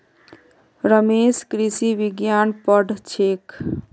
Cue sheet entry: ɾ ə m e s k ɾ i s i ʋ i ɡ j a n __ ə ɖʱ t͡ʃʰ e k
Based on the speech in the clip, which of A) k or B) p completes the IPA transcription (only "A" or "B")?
B